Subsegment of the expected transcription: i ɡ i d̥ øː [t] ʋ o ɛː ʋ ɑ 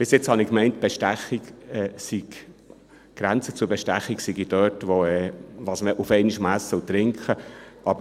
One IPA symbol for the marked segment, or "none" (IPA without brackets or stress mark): t